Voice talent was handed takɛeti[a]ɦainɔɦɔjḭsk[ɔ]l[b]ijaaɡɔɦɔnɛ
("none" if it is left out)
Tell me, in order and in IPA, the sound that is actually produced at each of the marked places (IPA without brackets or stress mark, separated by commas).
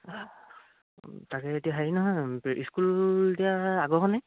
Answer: a, u, d